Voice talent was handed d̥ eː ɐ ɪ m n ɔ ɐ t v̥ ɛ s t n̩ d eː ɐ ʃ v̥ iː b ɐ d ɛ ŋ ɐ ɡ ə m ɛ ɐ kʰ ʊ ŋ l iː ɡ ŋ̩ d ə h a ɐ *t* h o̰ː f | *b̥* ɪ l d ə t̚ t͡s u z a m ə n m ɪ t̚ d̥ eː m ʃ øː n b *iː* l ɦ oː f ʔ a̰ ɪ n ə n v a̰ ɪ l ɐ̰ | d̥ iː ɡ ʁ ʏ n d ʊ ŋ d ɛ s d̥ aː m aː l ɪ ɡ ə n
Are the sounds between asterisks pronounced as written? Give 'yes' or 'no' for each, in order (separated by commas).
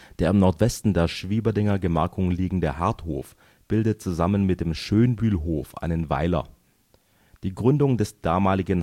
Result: yes, yes, no